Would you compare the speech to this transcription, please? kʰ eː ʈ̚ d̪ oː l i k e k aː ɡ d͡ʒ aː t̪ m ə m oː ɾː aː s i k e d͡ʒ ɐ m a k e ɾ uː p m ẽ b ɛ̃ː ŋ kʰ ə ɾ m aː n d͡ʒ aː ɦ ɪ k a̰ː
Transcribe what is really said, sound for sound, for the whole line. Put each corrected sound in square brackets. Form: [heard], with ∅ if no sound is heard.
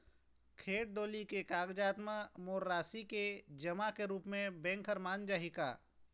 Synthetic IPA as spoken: kʰ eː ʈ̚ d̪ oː l i k e k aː ɡ d͡ʒ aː t̪ m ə m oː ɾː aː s i k e d͡ʒ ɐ m a k e ɾ uː p m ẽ b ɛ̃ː ŋ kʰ ə ɾ m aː n d͡ʒ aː ɦ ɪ k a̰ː